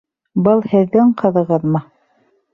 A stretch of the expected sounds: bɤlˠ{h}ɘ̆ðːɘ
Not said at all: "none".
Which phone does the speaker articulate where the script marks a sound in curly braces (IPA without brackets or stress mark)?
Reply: h